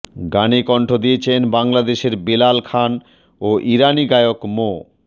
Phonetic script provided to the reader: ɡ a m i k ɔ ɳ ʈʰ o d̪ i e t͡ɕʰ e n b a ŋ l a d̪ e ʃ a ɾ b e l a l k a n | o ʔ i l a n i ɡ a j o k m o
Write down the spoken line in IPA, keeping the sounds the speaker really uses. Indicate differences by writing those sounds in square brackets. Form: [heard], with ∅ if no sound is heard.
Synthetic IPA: ɡ a [n] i k ɔ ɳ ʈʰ o d̪ i e t͡ɕʰ e n b a ŋ l a d̪ e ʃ [e] ɾ b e l a l [kʰ] a n | o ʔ i [ɾ] a n i ɡ a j o k m o

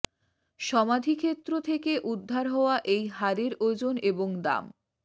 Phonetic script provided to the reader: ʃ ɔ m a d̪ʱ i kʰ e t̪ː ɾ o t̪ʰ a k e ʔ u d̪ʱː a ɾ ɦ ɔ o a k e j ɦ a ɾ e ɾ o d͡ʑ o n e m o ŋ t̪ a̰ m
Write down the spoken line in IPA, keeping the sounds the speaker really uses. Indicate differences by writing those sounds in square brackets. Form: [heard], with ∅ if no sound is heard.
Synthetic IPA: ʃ ɔ m a d̪ʱ i kʰ e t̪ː ɾ o t̪ʰ [e] k e ʔ u d̪ʱː a ɾ ɦ ɔ o a [ʔ] e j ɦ a ɾ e ɾ o d͡ʑ o n e [b] o ŋ [d̪] a̰ m

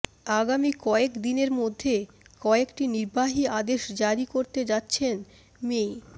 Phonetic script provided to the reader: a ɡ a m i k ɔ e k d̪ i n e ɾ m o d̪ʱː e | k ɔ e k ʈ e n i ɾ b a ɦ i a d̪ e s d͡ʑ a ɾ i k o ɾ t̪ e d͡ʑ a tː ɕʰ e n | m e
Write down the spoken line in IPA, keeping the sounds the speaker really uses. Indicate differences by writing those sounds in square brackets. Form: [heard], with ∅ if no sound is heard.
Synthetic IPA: a ɡ a m i k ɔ e k d̪ i n e ɾ m o d̪ʱː e | k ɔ e k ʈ [i] n i ɾ b a ɦ i a d̪ e [ʃ] d͡ʑ a ɾ i k o ɾ t̪ e d͡ʑ a tː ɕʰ e n | m e

